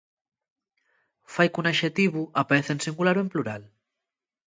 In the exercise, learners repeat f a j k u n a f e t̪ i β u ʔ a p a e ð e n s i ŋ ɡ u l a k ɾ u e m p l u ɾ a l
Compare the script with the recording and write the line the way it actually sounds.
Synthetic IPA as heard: f a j k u n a ʃ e t̪ i β u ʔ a p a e θ e n s i ŋ ɡ u l a ɾ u e m p l u ɾ a l